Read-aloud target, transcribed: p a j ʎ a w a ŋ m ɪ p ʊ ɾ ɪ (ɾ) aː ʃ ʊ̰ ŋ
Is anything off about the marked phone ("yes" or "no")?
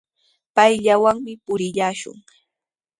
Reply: yes